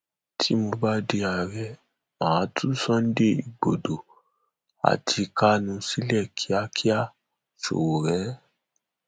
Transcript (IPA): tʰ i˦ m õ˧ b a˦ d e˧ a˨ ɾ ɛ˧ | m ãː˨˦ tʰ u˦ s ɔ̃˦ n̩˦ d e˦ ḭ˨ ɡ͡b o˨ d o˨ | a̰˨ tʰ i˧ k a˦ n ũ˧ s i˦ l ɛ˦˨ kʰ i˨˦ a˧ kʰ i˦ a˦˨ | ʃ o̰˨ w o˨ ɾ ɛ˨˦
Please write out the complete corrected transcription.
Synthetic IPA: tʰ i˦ m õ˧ b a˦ d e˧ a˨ ɾ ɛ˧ | m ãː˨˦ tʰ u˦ s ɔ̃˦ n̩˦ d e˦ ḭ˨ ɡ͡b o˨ d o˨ | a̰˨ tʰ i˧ k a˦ n ũ˧ s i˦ l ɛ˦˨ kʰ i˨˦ a˧ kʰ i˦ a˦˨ | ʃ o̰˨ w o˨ ɾ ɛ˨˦